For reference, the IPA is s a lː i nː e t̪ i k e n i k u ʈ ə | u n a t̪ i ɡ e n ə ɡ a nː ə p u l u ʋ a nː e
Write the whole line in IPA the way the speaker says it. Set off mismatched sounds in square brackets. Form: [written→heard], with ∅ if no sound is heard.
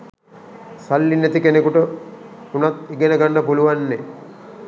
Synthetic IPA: s a lː i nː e t̪ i k e n [i→e] k u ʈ ə | u n a t̪ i ɡ e n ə ɡ a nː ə p u l u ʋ a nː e